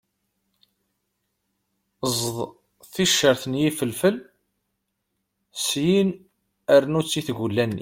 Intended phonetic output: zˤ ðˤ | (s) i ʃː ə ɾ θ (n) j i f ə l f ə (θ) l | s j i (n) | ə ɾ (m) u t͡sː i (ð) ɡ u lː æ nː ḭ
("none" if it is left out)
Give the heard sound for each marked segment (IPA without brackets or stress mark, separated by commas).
θ, n, none, n, n, θ